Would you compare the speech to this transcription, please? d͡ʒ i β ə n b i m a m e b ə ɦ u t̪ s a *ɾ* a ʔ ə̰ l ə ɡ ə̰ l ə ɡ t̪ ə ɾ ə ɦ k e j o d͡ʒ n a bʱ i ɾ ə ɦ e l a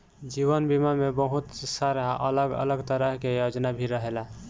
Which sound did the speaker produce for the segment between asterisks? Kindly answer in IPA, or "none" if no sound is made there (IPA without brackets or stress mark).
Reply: ɾ